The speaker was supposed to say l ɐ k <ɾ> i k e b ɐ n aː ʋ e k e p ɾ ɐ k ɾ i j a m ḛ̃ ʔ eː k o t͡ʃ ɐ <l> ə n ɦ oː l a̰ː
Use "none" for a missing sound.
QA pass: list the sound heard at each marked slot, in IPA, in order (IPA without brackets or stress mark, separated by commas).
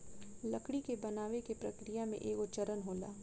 ɽ, ɾ